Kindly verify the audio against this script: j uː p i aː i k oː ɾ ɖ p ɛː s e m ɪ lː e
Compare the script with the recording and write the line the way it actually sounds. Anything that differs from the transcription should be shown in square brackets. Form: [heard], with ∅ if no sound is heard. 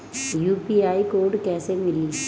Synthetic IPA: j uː p i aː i k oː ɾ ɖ [k] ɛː s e m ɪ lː [i]